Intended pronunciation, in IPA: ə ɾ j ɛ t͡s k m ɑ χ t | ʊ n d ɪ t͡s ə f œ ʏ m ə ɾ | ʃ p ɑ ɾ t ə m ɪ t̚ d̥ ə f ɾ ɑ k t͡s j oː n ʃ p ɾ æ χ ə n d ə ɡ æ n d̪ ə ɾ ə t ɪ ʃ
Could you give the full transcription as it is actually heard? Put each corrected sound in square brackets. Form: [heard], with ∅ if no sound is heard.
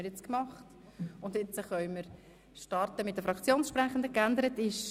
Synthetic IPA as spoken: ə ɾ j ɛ t͡s k m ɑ χ t | ʊ n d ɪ t͡s ə [χ] œ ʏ m ə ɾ | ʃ [t] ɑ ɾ t ə m ɪ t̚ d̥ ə f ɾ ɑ k t͡s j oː n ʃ p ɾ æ χ ə n d ə [k] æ n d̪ ə ɾ ə t ɪ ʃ